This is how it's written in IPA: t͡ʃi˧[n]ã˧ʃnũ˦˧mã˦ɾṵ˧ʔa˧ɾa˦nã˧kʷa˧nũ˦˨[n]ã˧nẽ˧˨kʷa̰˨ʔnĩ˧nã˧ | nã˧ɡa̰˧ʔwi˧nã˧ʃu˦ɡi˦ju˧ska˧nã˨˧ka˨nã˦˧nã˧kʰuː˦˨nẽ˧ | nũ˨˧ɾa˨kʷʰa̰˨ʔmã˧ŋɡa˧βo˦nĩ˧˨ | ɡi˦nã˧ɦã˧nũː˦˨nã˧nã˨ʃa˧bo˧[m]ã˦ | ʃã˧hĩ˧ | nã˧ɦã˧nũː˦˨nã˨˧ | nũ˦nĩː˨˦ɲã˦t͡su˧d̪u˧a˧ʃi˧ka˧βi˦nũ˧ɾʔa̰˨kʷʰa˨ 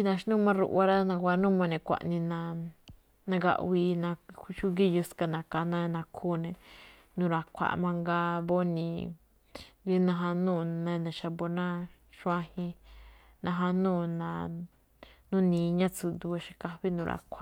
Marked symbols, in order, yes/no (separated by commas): yes, no, no